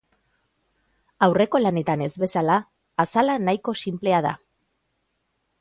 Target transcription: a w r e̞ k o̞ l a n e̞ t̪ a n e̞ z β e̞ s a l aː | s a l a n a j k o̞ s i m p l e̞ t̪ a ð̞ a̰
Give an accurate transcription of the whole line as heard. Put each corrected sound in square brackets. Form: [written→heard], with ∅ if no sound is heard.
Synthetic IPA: a w r e̞ k o̞ l a n e̞ t̪ a n e̞ z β e̞ s a l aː | s a l a n a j k o̞ s i m p l e̞ [t̪→∅] a ð̞ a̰